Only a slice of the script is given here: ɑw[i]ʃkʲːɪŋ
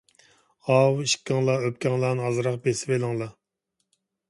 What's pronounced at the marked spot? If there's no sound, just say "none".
i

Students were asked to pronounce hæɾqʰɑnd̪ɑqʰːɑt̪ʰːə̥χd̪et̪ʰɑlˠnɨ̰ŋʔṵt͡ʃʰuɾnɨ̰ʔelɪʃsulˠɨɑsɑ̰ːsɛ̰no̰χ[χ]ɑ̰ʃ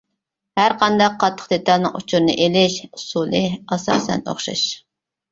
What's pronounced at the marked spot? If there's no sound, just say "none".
ʃ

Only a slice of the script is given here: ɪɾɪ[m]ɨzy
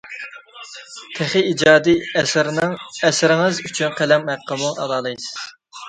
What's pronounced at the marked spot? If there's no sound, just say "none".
ŋ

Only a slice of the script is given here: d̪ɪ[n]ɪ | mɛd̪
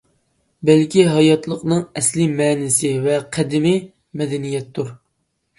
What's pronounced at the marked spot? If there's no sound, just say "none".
m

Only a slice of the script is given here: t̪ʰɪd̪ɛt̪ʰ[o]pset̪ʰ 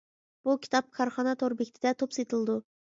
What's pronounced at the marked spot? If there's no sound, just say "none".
o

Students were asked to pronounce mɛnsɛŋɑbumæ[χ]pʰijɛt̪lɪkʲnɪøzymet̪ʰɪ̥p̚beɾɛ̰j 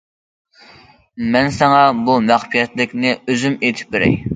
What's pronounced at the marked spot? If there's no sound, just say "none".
χ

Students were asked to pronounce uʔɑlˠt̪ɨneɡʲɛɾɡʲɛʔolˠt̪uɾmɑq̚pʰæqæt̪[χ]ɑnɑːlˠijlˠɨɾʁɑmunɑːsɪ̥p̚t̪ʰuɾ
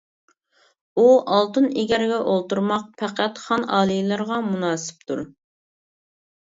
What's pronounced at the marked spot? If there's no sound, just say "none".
χ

